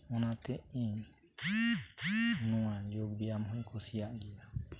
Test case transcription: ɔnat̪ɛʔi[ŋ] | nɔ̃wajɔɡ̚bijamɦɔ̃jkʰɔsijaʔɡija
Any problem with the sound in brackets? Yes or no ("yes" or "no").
yes